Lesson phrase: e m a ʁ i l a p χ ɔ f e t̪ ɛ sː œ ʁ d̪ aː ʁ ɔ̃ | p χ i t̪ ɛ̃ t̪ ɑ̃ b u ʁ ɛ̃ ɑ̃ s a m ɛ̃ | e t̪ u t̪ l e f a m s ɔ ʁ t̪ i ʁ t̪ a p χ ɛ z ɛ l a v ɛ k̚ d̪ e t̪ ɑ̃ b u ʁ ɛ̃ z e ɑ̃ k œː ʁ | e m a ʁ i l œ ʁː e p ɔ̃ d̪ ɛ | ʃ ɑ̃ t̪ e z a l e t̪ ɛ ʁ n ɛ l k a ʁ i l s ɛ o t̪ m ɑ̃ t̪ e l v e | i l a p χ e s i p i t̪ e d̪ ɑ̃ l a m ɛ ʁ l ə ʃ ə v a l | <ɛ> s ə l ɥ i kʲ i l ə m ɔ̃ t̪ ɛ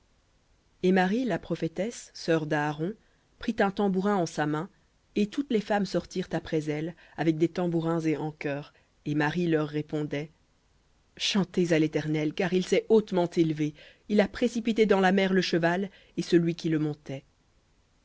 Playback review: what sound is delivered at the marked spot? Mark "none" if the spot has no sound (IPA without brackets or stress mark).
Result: e